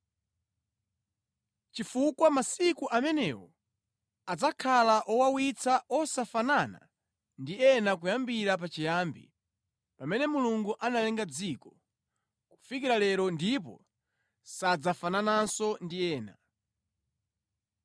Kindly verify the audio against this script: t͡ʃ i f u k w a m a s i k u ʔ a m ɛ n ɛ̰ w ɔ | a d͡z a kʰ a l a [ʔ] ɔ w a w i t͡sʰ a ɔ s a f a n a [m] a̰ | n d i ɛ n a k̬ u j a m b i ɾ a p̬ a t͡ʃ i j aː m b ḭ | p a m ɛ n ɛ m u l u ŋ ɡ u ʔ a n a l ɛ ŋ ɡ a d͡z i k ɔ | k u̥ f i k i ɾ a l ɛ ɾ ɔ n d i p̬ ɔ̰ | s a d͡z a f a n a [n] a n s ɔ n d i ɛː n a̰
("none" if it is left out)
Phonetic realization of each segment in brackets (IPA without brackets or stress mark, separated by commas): ʔ, n, n